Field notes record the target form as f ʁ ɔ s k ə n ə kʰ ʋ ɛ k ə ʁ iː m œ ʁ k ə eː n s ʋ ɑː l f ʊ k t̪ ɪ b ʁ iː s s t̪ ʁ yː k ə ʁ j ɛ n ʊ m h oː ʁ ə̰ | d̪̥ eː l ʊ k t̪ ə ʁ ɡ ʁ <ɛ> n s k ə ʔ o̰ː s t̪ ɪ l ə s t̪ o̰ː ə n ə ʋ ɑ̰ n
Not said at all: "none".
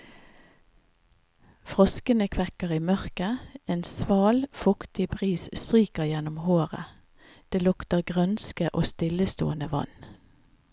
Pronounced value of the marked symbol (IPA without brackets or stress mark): œ